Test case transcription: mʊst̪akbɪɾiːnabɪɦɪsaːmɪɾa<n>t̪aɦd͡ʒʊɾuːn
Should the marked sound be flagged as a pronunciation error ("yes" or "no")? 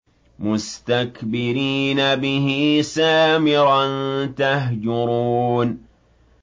no